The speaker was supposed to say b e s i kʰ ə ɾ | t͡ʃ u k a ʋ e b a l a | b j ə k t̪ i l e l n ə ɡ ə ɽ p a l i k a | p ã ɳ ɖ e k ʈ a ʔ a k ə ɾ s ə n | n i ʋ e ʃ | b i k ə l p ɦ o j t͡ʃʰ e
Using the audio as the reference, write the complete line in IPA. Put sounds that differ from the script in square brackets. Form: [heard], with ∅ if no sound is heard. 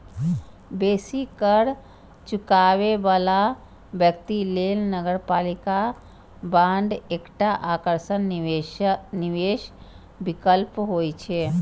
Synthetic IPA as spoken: b e s i [k] ə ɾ | t͡ʃ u k a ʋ e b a l a | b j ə k t̪ i l e l n ə ɡ ə [ɾ] p a l i k a | [b] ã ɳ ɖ e k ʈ a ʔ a k ə ɾ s ə n | n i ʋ e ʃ | b i k ə l p ɦ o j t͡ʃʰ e